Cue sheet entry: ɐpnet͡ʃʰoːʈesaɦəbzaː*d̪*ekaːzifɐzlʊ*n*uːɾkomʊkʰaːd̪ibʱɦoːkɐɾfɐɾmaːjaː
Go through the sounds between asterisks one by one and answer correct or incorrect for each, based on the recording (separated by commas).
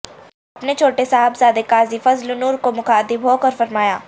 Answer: correct, correct